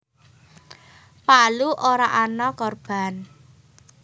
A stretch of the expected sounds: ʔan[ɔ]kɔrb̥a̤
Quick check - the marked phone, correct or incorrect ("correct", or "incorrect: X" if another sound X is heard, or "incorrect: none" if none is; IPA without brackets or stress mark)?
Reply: correct